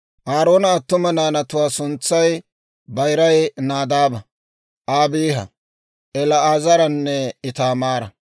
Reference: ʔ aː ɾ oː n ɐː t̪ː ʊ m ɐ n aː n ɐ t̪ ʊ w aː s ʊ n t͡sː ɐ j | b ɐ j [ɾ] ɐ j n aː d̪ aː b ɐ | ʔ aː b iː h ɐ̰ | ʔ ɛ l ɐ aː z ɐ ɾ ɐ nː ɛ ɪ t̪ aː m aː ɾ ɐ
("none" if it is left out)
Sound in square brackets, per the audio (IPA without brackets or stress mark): ɾ